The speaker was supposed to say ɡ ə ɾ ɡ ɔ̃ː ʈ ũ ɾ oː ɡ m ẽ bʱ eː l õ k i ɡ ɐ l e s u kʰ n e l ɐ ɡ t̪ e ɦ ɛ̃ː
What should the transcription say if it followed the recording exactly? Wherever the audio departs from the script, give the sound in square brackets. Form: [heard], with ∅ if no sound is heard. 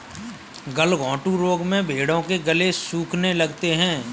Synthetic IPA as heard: ɡ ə [l] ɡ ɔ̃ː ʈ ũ ɾ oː ɡ m ẽ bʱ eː [ɽ] õ k [e] ɡ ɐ l e s [uː] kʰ n e l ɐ ɡ t̪ e ɦ ɛ̃ː